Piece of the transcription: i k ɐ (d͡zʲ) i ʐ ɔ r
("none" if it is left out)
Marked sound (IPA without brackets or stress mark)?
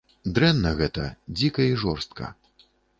none